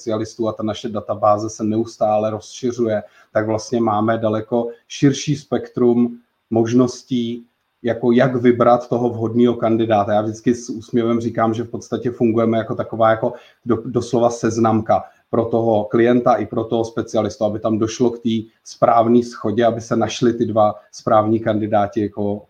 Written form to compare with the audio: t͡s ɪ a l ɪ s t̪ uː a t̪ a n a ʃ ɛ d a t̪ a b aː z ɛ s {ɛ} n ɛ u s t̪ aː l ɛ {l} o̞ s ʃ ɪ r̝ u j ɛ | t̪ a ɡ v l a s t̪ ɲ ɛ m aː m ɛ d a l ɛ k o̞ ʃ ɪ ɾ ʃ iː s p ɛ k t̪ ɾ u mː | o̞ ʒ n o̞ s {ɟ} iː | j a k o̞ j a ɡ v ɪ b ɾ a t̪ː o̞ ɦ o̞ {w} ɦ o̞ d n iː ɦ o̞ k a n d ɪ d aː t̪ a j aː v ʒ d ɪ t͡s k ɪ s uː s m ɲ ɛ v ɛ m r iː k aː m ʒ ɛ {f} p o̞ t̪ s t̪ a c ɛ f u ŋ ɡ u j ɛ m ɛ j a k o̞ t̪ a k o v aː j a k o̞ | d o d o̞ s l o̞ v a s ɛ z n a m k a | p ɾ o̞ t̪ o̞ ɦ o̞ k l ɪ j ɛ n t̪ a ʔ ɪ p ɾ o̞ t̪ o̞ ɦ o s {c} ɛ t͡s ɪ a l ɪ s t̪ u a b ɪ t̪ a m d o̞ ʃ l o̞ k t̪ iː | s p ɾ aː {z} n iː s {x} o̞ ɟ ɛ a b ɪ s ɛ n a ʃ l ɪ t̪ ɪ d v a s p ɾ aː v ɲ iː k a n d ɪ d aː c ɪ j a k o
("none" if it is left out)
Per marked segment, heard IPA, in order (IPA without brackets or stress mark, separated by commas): ɛ, ɾ, c, v, f, p, v, x